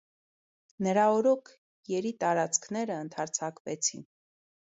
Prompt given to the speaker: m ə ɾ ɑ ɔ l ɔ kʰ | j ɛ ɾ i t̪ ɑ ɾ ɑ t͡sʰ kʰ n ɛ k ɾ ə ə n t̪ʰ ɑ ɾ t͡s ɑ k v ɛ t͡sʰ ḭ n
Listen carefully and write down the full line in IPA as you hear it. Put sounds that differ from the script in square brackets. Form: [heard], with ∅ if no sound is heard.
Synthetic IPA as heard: [n] ə ɾ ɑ ɔ [ɾ] ɔ kʰ | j ɛ ɾ i t̪ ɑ ɾ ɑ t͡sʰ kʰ n ɛ [∅] ɾ ə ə n t̪ʰ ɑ ɾ [t͡sʰ] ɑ k v ɛ t͡sʰ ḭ n